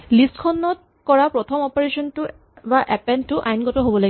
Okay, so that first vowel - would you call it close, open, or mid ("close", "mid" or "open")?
close